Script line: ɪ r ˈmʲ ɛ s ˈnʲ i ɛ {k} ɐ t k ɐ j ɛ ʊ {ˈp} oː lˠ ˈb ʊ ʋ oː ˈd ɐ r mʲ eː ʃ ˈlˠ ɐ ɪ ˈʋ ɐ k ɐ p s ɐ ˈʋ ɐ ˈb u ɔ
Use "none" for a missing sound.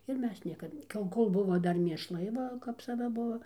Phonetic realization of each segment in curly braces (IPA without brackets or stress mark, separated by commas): k, k